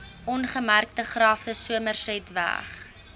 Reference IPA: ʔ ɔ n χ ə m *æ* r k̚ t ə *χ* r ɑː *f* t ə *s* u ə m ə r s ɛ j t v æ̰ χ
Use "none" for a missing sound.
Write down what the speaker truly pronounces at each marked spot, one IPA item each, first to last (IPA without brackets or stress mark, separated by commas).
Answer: æ, χ, f, s